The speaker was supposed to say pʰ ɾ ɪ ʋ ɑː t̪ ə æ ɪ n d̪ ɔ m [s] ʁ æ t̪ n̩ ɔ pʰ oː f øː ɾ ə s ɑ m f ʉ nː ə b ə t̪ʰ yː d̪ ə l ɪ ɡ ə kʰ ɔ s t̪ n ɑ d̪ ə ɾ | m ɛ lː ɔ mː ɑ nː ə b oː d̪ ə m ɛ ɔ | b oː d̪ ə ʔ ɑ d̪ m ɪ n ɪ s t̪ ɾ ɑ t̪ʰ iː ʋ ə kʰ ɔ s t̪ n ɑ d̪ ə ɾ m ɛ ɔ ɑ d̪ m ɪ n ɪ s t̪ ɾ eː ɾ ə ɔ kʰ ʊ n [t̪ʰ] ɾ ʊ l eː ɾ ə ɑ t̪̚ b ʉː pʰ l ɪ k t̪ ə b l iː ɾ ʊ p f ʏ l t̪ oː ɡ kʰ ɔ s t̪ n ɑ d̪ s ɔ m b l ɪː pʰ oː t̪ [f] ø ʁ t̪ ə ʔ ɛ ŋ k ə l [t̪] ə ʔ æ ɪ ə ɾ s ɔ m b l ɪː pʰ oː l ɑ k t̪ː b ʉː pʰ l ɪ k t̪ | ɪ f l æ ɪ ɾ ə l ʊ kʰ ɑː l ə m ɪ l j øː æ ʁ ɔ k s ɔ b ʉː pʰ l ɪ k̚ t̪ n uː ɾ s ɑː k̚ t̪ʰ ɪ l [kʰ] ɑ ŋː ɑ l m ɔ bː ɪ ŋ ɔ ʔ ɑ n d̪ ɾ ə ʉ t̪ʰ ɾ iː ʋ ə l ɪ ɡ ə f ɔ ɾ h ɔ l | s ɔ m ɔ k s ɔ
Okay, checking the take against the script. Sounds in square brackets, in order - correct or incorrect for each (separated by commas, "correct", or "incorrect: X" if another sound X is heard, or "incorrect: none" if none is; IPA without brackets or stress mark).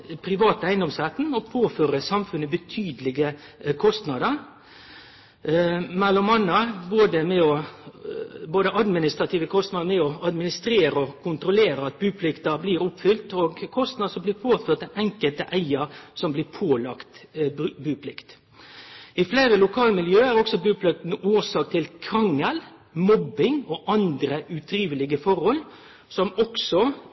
correct, incorrect: t̪, correct, correct, correct